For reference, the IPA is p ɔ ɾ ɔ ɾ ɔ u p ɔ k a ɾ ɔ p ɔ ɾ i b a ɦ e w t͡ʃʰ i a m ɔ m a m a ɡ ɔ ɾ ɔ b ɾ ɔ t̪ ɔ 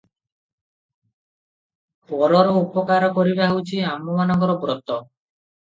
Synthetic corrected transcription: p ɔ ɾ ɔ ɾ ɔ u p ɔ k a ɾ ɔ k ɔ ɾ i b a ɦ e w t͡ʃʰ i a m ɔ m a n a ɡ ɔ ɾ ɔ b ɾ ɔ t̪ ɔ